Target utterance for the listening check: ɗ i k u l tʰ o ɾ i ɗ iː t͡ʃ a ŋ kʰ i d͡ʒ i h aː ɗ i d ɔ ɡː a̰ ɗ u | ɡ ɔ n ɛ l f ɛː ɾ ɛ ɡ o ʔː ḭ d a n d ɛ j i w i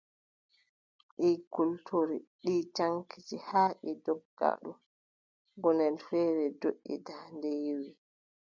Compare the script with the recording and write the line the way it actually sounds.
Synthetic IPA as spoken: ɗ i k u l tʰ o ɾ i ɗ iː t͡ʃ a ŋ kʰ i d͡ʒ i h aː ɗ i d ɔ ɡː a̰ ɗ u | ɡ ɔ n ɛ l f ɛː ɾ ɛ d o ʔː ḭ d a n d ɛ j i w i